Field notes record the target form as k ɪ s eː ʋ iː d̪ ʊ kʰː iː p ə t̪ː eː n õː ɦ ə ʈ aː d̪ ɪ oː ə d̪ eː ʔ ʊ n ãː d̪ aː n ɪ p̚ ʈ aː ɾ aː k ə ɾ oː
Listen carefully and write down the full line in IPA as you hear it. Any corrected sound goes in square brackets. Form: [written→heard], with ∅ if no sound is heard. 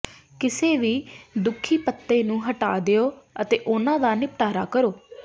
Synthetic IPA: k ɪ s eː ʋ iː d̪ ʊ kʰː iː p ə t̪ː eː n [õː→ũː] ɦ ə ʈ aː d̪ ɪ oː ə [d̪→t̪] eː ʔ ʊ n ãː d̪ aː n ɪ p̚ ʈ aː ɾ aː k ə ɾ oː